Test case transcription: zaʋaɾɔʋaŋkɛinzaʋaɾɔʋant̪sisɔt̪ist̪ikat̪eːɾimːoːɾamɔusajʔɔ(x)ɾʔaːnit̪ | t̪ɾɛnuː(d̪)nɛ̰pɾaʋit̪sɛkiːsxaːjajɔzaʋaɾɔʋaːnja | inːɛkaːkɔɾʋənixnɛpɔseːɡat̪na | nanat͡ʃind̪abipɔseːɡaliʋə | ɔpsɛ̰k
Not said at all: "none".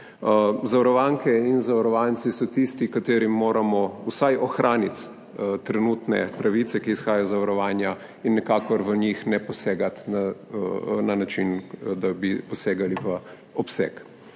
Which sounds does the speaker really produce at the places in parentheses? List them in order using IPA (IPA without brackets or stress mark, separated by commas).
x, t̪